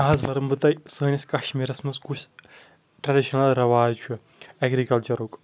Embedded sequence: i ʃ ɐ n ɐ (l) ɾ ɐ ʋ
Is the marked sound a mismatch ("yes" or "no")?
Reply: no